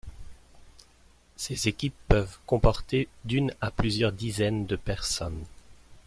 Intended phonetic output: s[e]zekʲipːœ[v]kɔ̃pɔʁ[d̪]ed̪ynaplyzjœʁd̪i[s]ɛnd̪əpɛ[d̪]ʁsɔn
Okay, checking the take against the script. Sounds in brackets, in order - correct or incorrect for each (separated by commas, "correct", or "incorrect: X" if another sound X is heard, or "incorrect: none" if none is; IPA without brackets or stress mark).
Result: correct, correct, incorrect: t̪, incorrect: z, incorrect: none